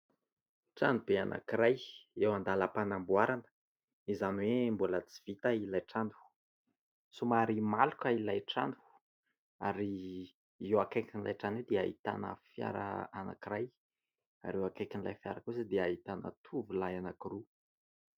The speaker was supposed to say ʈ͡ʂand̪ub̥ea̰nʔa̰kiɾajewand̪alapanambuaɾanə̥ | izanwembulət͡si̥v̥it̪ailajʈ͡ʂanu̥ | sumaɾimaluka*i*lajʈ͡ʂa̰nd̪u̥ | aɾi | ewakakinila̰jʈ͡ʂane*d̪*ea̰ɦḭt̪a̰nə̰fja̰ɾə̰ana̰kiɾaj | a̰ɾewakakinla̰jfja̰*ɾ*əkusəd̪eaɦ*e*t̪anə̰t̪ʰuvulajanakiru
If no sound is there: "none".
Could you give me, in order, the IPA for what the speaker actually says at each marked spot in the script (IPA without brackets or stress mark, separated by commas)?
i, d̪, ɾ, i